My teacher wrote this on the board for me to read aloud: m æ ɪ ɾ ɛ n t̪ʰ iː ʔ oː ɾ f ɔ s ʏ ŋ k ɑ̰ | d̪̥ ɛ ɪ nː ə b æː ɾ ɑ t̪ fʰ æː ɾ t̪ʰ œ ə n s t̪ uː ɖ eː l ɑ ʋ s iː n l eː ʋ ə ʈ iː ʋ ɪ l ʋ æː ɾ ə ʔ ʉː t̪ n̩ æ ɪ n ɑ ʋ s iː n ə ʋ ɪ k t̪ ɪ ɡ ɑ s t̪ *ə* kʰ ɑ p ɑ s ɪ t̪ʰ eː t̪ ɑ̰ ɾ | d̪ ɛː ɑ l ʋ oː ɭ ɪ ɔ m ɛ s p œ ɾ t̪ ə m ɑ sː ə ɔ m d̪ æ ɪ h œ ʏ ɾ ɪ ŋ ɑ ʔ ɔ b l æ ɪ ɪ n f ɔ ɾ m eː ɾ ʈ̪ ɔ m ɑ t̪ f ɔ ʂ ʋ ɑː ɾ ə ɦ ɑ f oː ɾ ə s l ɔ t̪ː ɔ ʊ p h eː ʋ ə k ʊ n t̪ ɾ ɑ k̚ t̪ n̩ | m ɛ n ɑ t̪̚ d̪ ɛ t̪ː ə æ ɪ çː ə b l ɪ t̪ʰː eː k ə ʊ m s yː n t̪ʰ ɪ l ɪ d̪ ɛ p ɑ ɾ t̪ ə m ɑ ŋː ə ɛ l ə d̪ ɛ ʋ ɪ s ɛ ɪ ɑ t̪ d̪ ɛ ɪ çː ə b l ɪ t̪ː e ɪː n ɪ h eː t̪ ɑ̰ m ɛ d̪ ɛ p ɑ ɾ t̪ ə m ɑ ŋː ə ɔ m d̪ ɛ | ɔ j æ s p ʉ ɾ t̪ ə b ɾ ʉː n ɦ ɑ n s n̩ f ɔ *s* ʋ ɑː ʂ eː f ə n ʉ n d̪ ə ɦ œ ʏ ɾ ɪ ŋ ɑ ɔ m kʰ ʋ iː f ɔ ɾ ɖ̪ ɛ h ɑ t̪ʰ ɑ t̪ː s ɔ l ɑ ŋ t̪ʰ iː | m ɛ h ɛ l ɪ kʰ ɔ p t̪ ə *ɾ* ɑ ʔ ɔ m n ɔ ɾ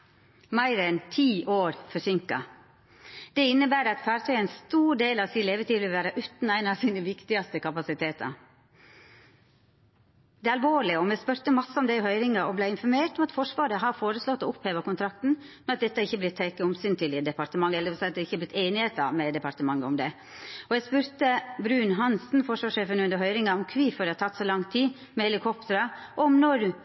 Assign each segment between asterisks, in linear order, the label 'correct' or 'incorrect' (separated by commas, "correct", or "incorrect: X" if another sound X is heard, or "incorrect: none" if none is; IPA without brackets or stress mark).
correct, incorrect: ʂ, correct